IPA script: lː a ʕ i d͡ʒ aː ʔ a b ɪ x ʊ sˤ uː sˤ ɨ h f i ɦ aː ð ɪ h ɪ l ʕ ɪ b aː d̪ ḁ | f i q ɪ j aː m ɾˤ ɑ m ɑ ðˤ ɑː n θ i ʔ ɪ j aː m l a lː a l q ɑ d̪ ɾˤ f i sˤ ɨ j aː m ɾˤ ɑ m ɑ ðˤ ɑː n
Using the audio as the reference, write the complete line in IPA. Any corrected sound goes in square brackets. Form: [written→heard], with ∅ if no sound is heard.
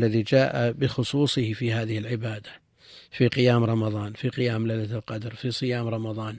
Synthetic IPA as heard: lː a [ʕ→ð] i d͡ʒ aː ʔ a b ɪ x ʊ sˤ uː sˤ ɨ h f i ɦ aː ð ɪ h ɪ l ʕ ɪ b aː d̪ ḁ | f i q ɪ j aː m ɾˤ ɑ m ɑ ðˤ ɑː n [θ→f] i [ʔ→q] ɪ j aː m l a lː a l q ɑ d̪ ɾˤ f i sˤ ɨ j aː m ɾˤ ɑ m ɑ ðˤ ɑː n